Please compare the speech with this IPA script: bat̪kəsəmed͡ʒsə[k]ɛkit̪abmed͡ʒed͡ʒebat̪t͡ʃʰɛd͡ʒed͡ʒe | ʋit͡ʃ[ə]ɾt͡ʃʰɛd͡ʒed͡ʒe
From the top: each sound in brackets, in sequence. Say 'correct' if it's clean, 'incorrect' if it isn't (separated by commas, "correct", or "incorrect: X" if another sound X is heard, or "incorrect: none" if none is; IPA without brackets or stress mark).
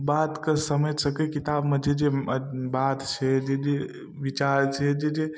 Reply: correct, incorrect: a